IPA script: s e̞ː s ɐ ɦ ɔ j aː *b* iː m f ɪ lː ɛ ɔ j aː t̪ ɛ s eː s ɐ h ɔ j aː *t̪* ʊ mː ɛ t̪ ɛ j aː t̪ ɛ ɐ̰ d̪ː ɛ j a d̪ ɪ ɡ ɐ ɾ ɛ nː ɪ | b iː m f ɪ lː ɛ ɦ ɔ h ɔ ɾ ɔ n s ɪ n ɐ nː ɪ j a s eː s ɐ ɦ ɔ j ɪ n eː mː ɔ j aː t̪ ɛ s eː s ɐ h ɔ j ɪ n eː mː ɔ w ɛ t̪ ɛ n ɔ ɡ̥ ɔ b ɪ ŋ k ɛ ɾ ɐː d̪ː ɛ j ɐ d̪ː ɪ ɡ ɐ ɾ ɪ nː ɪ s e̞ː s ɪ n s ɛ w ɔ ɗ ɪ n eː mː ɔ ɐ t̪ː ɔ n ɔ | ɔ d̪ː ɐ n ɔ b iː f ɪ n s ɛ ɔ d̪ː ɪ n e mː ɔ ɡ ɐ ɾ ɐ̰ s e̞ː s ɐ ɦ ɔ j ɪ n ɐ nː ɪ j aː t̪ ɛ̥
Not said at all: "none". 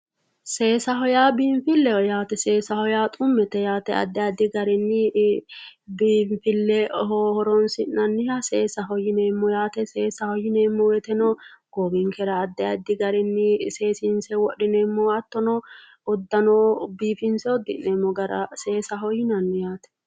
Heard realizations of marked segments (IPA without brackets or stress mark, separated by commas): b, t̪ʼ